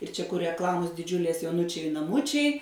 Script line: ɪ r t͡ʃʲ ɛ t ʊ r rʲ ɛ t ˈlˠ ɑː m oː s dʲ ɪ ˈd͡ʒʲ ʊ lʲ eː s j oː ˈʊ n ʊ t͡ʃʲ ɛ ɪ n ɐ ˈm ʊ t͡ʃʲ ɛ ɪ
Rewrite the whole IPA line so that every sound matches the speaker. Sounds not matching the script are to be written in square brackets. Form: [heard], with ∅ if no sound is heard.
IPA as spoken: ɪ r t͡ʃʲ ɛ [k] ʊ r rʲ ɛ [k] ˈlˠ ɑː m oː s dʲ ɪ ˈd͡ʒʲ ʊ lʲ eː s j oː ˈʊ n ʊ t͡ʃʲ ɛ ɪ n ɐ ˈm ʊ t͡ʃʲ ɛ ɪ